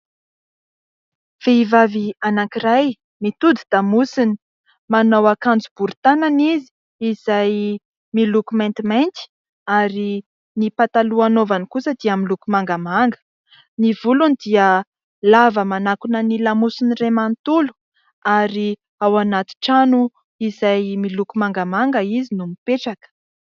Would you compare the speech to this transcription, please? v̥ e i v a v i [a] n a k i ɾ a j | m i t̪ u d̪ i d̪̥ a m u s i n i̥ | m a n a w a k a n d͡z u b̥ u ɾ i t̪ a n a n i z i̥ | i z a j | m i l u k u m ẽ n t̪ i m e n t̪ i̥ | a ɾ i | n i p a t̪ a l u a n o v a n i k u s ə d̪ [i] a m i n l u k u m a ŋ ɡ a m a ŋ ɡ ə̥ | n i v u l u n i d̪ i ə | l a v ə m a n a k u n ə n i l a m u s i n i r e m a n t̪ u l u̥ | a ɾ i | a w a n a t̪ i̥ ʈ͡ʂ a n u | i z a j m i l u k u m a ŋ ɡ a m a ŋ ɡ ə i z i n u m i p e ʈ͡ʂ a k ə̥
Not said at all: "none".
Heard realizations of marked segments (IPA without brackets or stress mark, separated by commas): a, i